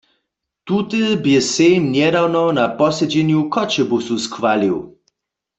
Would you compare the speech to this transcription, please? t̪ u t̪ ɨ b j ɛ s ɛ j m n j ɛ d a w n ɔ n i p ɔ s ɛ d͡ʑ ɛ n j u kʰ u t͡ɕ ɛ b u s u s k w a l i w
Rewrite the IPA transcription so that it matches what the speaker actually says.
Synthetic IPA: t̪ u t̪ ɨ b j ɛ s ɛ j m n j ɛ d a w n ɔ n a p ɔ s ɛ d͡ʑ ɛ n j u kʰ ɔ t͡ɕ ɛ b u s u s k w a l i w